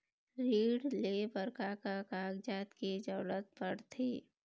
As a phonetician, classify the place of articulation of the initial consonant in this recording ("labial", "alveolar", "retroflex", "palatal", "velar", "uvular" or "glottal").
alveolar